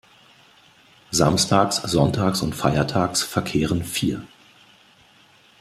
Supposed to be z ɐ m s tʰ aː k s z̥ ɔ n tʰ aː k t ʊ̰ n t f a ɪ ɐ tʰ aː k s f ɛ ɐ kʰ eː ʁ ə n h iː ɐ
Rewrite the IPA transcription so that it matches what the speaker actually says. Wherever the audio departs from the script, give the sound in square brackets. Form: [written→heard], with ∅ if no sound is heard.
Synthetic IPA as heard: z [ɐ→a] m s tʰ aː k s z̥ ɔ n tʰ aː k [t→s] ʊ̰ n t f a ɪ ɐ tʰ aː k s f ɛ ɐ kʰ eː ʁ ə n [h→f] iː ɐ